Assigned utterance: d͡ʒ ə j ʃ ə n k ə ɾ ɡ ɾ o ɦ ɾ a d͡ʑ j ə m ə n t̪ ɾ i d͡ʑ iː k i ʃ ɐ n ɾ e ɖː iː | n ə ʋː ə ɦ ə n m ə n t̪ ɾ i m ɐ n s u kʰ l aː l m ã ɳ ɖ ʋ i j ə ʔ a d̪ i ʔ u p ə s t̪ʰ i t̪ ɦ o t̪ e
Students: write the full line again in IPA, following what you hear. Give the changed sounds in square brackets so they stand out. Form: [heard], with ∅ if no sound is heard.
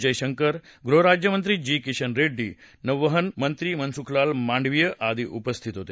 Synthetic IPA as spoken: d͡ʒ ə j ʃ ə [ŋ] k ə ɾ ɡ ɾ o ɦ ɾ a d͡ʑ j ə m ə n t̪ ɾ i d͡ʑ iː k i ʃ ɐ n ɾ e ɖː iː | n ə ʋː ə ɦ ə n m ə n t̪ ɾ i m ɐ n s u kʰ l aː l m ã ɳ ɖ ʋ i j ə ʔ a d̪ i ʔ u p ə s t̪ʰ i t̪ ɦ o t̪ e